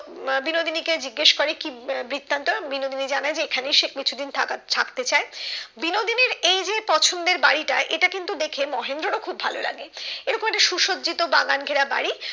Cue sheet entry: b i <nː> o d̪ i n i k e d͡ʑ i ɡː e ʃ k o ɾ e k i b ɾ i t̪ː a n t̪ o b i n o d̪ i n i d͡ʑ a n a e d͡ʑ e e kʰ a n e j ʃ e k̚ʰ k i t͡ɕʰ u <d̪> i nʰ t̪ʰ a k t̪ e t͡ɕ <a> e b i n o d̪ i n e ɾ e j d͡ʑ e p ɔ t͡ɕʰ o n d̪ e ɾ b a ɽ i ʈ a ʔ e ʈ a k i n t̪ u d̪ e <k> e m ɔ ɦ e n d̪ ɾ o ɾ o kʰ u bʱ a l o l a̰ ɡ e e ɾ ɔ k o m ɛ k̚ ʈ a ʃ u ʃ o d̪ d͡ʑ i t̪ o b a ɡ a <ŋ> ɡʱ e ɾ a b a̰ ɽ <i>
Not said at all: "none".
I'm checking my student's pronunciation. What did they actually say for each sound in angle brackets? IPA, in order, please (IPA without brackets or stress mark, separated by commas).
n, d̪, a, kʰ, n, i